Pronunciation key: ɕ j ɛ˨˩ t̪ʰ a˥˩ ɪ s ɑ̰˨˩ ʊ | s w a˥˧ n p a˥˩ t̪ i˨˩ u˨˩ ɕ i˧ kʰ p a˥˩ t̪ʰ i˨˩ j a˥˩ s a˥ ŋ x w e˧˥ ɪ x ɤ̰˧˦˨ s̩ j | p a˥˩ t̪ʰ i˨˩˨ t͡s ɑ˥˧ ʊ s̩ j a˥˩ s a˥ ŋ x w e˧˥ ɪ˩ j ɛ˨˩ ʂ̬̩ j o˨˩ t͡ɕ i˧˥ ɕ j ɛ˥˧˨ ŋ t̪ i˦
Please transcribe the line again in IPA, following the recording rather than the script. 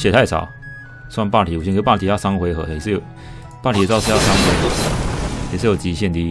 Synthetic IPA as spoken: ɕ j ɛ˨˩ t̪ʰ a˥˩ ɪ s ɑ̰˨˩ ʊ | s w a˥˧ n p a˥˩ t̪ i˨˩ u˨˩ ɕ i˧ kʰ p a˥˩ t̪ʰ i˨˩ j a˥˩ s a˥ ŋ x w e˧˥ ɪ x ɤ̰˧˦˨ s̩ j | p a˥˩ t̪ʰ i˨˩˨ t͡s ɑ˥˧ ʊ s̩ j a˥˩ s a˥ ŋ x w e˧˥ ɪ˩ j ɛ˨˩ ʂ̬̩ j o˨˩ t͡ɕ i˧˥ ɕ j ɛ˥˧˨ n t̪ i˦

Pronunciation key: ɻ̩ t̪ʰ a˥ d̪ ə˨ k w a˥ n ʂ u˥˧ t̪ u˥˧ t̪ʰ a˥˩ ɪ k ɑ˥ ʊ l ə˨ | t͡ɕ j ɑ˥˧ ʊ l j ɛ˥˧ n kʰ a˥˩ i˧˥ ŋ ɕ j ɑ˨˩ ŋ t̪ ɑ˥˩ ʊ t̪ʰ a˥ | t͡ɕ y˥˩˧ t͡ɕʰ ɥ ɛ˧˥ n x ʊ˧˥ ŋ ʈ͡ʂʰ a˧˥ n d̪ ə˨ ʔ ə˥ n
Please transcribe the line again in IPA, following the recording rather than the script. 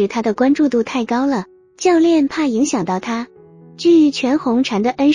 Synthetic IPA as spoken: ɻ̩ t̪ʰ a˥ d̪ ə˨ k w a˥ n ʈ͡ʂ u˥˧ t̪ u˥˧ t̪ʰ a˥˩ ɪ k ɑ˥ ʊ l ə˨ | t͡ɕ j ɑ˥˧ ʊ l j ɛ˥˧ n pʰ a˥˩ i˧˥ ŋ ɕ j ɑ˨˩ ŋ t̪ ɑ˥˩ ʊ t̪ʰ a˥ | t͡ɕ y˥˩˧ t͡ɕʰ ɥ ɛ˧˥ n x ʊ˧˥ ŋ ʈ͡ʂʰ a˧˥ n d̪ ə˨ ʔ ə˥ n

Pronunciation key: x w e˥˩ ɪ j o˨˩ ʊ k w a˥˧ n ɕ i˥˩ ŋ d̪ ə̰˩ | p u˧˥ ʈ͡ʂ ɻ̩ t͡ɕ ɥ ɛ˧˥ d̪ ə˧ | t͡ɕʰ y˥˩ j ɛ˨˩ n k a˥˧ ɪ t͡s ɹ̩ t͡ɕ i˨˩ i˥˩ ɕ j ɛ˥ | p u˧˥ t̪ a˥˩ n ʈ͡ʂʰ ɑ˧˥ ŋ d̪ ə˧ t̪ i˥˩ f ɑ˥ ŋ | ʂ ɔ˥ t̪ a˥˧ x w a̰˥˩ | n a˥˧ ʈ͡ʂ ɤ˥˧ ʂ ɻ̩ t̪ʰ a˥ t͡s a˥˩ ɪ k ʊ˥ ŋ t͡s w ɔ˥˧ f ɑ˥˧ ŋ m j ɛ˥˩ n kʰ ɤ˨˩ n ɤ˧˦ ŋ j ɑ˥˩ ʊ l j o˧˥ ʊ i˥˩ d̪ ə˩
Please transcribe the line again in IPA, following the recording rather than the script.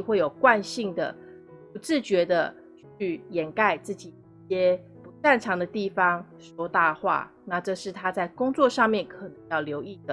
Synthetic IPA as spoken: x w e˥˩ ɪ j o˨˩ ʊ k w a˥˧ n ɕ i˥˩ ŋ d̪ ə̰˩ | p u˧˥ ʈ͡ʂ ɻ̩ t͡ɕ ɥ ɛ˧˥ d̪ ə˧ | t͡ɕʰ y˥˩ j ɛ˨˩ n k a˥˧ ɪ t͡s ɹ̩ t͡ɕ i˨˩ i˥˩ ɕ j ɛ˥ | p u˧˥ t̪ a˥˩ n ʈ͡ʂʰ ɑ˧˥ ŋ d̪ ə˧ t̪ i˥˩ f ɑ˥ ŋ | ʂ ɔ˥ t̪ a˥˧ x w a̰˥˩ | n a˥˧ ʈ͡ʂ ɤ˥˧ ʂ ɻ̩ t̪ʰ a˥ t͡s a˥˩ ɪ k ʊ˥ ŋ t͡s w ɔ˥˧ ʂ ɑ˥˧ ŋ m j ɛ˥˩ n kʰ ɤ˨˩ n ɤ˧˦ ŋ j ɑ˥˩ ʊ l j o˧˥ ʊ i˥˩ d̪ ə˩

